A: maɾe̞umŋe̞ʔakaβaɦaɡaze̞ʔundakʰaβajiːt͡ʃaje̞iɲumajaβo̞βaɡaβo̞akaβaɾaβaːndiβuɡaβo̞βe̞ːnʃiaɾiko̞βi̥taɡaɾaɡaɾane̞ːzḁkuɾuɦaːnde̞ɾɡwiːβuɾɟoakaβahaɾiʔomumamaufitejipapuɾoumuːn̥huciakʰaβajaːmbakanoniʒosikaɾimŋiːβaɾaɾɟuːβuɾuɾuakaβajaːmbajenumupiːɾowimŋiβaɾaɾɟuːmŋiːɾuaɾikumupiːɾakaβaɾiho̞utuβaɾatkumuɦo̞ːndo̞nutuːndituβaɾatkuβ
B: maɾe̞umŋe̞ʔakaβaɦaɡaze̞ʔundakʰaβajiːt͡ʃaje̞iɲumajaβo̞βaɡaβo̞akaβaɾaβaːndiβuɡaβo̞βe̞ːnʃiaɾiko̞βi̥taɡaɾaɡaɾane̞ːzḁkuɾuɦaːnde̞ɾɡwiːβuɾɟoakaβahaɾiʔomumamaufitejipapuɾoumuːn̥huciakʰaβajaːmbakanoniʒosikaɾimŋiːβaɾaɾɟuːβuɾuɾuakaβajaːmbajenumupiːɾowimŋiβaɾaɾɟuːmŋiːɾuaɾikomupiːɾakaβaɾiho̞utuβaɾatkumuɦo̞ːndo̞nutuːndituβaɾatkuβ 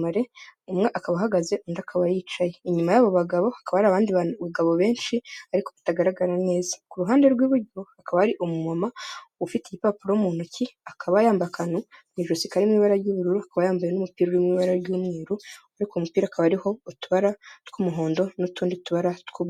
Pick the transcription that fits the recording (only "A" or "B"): B